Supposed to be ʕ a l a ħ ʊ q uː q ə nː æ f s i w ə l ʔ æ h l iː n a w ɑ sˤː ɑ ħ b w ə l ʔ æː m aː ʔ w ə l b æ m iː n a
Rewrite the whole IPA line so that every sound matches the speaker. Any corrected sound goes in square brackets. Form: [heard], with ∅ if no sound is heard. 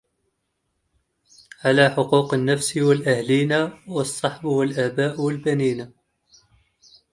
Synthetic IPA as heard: ʕ a l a ħ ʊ q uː q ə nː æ f s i w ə l ʔ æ h l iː n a w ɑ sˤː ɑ ħ b w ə l ʔ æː [b] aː ʔ w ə l b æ [n] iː n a